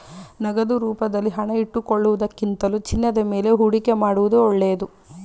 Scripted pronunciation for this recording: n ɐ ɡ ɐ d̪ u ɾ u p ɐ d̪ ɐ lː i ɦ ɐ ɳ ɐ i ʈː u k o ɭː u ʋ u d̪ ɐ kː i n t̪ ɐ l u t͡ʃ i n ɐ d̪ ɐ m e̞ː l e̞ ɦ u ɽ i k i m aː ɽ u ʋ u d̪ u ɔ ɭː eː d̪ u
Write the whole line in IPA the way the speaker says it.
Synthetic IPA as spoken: n ɐ ɡ ɐ d̪ u ɾ uː p ɐ d̪ ɐ lː i ɦ ɐ ɳ ɐ i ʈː u k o ɭː u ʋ u d̪ ɐ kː i n t̪ ɐ l u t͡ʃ i nː ɐ d̪ ɐ m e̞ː l e̞ ɦ u ɽ i k e m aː ɽ u ʋ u d̪ u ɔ ɭː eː d̪ u